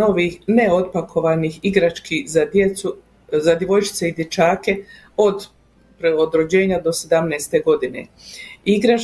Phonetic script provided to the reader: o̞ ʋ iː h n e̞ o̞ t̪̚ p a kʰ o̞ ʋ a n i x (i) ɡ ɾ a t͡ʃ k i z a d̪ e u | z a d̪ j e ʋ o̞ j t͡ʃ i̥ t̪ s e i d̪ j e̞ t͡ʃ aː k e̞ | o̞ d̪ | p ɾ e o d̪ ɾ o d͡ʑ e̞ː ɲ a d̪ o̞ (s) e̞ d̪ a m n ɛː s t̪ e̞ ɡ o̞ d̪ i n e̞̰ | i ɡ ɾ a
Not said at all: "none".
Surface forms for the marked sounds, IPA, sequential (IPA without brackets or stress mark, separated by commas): i, s